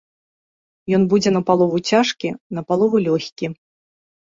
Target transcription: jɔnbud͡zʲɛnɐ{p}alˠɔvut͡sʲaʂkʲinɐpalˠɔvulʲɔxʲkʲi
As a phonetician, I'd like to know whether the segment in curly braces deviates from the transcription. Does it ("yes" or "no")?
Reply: no